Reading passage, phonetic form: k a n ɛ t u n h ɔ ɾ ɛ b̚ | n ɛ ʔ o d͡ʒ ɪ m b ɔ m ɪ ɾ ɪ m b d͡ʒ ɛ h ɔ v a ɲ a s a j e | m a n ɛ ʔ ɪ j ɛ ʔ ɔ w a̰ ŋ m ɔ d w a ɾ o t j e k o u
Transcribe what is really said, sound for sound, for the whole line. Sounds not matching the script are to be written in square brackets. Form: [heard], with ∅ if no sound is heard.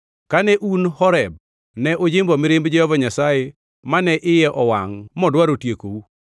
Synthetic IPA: k a n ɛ [ʔ] u n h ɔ ɾ ɛ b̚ | n ɛ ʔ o d͡ʒ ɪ m b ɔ m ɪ ɾ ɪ m b d͡ʒ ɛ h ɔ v a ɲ a s a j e | m a n ɛ ʔ ɪ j ɛ ʔ ɔ w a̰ ŋ m ɔ d w a ɾ o t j e k o u